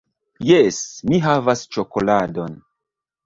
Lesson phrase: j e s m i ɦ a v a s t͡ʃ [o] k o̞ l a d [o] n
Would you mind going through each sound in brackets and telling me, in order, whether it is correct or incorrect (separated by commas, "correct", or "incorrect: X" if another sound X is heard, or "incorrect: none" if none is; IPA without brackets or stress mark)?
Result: correct, correct